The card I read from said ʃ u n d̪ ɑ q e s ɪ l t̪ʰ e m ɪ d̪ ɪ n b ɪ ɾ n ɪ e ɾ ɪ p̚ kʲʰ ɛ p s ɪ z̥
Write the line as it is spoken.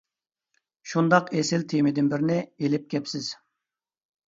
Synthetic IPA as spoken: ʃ u n d̪ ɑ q e s ɪ l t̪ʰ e m ɪ d̪ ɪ n b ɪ ɾ n ɪ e l ɪ p̚ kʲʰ ɛ p s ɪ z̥